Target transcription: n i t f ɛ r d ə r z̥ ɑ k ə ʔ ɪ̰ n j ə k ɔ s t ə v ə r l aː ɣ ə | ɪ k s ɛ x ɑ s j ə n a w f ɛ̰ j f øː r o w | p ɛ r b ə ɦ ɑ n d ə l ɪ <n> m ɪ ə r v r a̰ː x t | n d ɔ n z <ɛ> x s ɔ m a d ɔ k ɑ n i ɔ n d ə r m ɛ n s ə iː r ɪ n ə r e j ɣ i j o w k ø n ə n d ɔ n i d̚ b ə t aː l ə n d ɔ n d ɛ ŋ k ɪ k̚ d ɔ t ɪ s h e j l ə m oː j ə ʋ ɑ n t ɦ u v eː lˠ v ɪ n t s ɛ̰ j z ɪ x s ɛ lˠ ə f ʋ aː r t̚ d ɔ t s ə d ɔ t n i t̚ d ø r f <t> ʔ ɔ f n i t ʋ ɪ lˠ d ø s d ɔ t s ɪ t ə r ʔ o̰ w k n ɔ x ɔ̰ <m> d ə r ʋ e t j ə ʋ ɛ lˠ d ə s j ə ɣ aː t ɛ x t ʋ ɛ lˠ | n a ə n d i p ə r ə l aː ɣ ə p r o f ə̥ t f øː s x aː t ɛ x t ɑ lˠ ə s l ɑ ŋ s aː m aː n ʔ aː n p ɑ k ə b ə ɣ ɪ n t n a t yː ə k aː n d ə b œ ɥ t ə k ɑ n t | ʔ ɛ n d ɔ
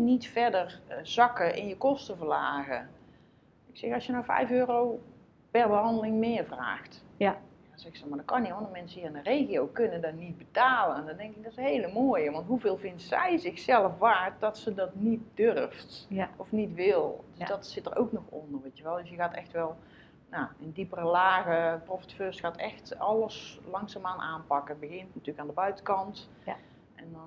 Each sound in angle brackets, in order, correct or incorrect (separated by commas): incorrect, correct, correct, incorrect